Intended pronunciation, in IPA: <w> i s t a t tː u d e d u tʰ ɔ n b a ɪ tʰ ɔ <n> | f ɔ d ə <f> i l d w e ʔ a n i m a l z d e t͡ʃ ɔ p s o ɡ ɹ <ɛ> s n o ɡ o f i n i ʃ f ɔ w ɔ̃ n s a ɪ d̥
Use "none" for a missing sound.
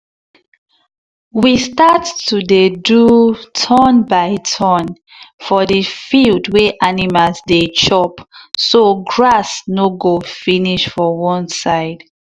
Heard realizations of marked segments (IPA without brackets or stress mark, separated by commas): w, n, f, a